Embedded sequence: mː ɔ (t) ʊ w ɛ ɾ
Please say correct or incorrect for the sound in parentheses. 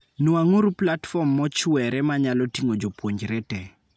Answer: incorrect